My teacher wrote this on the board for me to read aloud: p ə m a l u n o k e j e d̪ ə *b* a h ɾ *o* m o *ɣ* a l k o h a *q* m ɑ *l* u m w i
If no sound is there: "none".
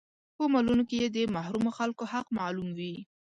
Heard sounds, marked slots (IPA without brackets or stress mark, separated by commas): m, u, x, q, l